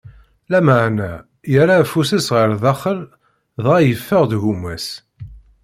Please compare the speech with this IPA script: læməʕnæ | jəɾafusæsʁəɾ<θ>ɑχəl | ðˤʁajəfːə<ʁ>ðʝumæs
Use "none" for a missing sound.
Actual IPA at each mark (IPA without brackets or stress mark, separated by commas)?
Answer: ð, ʁ